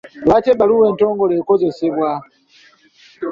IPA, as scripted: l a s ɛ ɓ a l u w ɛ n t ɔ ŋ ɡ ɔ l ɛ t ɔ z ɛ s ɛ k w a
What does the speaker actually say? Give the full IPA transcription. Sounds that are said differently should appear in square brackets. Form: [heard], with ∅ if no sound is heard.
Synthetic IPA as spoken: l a [t] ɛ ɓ a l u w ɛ n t ɔ ŋ ɡ ɔ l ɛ [k] ɔ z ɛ s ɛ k w a